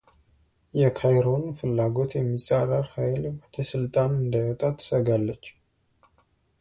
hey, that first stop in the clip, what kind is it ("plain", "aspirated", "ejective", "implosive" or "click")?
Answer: aspirated